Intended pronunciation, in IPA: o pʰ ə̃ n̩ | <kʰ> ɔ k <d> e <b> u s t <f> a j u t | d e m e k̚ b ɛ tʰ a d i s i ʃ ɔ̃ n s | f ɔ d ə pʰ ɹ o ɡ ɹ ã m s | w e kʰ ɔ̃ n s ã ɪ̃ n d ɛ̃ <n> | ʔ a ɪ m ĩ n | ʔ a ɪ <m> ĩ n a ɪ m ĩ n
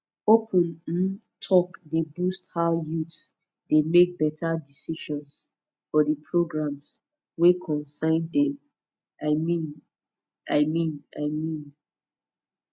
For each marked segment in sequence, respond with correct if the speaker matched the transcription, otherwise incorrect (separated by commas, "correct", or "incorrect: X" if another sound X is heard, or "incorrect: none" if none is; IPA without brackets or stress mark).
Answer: incorrect: tʰ, correct, correct, incorrect: h, incorrect: m, correct